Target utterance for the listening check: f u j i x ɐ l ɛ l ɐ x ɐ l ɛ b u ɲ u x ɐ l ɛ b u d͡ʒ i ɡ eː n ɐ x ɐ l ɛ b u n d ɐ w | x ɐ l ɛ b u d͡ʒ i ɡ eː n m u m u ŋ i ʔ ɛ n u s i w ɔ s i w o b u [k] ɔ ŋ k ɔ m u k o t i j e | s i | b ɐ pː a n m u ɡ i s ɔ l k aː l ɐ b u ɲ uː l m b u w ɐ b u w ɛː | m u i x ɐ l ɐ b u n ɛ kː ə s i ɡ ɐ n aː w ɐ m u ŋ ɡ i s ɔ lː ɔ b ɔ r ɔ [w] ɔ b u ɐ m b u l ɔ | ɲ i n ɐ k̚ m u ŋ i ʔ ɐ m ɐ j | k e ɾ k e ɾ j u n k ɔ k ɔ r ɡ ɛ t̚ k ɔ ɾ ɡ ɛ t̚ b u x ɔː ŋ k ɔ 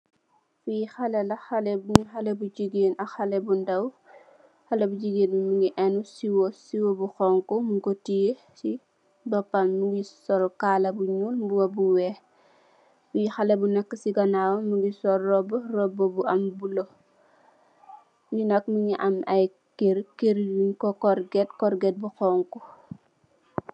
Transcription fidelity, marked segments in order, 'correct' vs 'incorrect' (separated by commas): incorrect, incorrect